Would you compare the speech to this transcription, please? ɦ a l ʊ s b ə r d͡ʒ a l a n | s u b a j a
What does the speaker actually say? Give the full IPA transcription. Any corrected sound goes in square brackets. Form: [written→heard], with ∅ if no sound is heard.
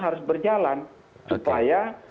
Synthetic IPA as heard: ɦ a [l→ɾ] ʊ s b ə r d͡ʒ a l a n | s u [b→p] a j a

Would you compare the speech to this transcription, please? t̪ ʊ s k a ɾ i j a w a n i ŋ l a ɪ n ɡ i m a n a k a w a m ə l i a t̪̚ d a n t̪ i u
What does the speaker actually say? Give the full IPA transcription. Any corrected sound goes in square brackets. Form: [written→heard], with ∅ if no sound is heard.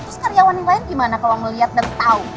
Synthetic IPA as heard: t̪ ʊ s k a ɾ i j a w a n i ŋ l a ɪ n ɡ i m a n a k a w a m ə l i a t̪̚ d a n t̪ [i→a] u

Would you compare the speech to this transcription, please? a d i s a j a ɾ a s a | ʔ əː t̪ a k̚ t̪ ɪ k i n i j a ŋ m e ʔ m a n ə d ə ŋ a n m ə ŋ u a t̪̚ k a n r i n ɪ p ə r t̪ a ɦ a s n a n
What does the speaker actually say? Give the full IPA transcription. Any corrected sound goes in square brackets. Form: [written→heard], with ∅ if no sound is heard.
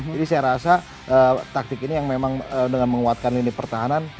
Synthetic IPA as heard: a d i s a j a ɾ a s a | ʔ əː t̪ a k̚ t̪ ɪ k i n i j a ŋ m e [ʔ→∅] m a [n→ŋ] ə d ə ŋ a n m ə ŋ u a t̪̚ k a n [r→l] i n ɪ p ə r t̪ a ɦ a [s→∅] n a n

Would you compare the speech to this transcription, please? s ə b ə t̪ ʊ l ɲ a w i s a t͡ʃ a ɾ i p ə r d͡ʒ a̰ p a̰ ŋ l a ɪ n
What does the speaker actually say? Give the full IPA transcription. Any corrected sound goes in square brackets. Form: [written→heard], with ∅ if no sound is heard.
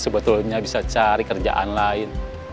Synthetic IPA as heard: s ə b ə t̪ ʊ l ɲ a [w→b] i s a t͡ʃ a ɾ i [p→k] ə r d͡ʒ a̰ [p→ʔ] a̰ [ŋ→n] l a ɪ n

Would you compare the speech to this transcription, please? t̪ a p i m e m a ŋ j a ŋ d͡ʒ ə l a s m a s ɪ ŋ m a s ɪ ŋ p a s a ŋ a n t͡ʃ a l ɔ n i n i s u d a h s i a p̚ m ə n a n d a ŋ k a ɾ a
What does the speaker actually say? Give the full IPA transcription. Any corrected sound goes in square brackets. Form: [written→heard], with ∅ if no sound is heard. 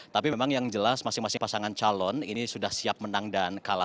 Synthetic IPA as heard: t̪ a p i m e m a ŋ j a ŋ d͡ʒ ə l a s m a s ɪ ŋ m a s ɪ ŋ p a s a ŋ a n t͡ʃ a l ɔ n i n i s u d a h s i a p̚ m ə n a [n→ŋ] d a [ŋ→n] k a [ɾ→l] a

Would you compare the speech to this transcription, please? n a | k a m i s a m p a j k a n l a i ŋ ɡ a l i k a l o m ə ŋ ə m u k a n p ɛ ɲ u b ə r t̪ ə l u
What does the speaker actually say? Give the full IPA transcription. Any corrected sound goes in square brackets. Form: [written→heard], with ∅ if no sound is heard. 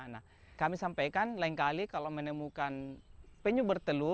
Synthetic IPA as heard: n a | k a m i s a m p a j k a n l a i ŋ [ɡ→k] a l i k a l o m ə [ŋ→n] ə m u k a n p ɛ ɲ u b ə r t̪ ə l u

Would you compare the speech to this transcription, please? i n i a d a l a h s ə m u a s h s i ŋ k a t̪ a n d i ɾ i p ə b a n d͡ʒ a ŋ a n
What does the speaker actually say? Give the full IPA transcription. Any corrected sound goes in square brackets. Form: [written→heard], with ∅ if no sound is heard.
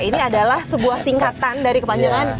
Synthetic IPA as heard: i n i a d a l a h s ə [m→b] u a [s→∅] h s i ŋ k a t̪ a n d [i→a] ɾ i [p→k] ə [b→p] a [n→ɲ] d͡ʒ a ŋ a n

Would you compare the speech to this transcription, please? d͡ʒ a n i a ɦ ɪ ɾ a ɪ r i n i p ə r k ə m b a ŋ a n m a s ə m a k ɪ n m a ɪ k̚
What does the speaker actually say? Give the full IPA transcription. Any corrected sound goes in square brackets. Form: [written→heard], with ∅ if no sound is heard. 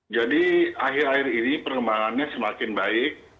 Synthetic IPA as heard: d͡ʒ a [n→d] i a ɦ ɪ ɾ a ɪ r i n i p ə r k ə m b a ŋ a n [m→ɲ] a s ə m a k ɪ n [m→b] a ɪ k̚

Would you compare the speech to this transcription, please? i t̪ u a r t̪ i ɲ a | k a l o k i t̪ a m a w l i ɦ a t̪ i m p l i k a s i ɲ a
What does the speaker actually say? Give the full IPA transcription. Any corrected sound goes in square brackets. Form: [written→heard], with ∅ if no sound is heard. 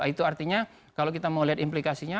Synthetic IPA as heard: i t̪ u a r t̪ i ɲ a | k a l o k i t̪ a m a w l i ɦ a t̪ i m p l i k a s i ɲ a

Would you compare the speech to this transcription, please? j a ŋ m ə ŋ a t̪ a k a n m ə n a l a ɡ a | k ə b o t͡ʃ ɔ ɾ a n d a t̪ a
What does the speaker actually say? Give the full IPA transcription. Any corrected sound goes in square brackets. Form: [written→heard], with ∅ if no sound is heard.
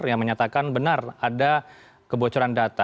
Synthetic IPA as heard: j a ŋ m ə [ŋ→ɲ] a t̪ a k a n [m→b] ə n a [l→r] a [ɡ→d] a | k ə b o t͡ʃ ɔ ɾ a n d a t̪ a

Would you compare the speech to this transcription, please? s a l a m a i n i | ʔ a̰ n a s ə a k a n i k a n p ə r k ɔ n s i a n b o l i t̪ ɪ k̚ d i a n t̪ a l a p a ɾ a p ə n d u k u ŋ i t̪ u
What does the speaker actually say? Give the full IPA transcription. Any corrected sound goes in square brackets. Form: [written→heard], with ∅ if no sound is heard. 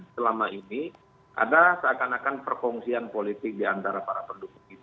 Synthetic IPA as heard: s [a→ə] l a m a i n i | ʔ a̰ [n→d] a s ə a k a n [i→a] k a n p ə r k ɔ [n→ŋ] s i a n [b→p] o l i t̪ ɪ k̚ d i a n t̪ a [l→ɾ] a p a ɾ a p ə n d u k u ŋ i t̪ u

